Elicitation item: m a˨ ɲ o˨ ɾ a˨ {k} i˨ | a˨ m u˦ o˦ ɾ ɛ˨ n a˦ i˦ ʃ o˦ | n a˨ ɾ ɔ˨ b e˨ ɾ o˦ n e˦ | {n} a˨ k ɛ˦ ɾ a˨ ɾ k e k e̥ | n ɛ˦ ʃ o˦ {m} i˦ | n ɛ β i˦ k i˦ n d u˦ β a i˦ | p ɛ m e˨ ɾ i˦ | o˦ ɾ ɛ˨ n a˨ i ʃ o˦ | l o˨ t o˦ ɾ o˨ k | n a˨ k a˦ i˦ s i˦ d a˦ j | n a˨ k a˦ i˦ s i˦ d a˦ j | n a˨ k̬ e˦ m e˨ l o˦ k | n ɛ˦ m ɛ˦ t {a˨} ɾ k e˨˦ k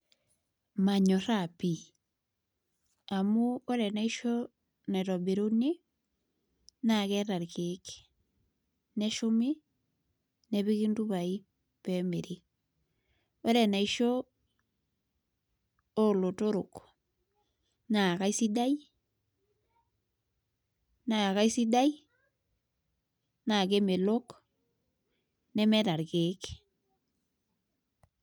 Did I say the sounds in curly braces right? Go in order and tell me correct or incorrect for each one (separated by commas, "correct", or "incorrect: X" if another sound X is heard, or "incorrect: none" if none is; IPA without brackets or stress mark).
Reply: incorrect: p, correct, correct, correct